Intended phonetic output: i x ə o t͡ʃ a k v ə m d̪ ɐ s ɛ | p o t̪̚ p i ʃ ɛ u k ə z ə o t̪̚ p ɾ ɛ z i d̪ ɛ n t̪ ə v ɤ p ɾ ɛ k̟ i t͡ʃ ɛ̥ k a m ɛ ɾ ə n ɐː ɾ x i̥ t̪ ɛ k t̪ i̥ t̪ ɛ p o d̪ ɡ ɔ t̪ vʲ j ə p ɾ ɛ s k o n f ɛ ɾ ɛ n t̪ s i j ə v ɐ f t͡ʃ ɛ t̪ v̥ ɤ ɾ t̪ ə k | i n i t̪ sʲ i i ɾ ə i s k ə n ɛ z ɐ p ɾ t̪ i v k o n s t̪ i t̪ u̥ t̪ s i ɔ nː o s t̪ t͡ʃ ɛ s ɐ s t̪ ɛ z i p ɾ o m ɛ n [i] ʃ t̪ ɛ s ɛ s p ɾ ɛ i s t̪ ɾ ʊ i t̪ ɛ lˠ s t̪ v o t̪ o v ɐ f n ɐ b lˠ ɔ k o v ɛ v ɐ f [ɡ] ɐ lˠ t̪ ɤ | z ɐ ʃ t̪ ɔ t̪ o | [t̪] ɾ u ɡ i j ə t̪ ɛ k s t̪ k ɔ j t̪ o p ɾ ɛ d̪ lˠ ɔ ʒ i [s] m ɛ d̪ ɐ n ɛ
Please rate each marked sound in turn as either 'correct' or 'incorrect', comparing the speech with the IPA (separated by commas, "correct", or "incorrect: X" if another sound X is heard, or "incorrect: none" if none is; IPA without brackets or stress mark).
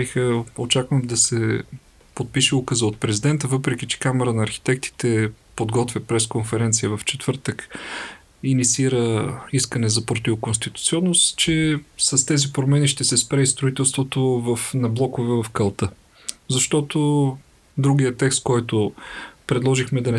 correct, incorrect: k, incorrect: d̪, incorrect: x